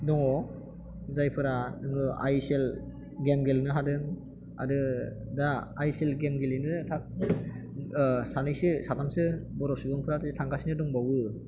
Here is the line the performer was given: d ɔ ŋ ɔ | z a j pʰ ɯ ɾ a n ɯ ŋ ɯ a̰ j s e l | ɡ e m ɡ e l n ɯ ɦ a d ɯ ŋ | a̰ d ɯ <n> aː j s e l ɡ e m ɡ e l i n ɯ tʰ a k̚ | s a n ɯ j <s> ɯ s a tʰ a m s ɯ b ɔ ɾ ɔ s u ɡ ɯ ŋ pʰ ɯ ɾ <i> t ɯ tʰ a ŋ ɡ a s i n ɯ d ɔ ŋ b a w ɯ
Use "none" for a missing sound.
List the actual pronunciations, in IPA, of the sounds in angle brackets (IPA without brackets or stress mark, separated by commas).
d, s, a